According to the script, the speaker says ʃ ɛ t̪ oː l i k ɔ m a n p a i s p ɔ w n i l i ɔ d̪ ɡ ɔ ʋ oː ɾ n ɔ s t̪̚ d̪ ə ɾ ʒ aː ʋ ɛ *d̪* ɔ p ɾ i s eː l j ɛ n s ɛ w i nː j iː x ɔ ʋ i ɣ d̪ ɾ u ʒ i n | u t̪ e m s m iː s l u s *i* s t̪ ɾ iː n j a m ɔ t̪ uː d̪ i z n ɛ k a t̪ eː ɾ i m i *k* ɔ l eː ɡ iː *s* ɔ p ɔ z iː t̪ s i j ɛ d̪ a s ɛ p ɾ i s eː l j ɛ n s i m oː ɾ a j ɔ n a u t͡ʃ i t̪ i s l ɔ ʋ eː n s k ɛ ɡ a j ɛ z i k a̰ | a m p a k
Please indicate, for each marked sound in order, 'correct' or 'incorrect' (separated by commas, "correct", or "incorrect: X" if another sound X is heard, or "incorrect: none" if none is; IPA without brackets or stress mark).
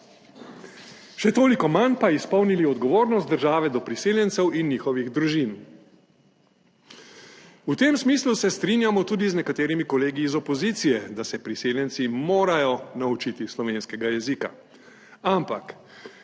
correct, incorrect: ɛ, correct, incorrect: z